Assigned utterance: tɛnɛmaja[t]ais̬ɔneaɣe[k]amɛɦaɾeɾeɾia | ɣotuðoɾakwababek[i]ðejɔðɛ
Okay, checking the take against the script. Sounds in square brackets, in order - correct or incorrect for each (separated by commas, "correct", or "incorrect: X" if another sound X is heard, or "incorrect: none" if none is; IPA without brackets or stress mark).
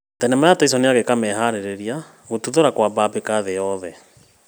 correct, correct, incorrect: a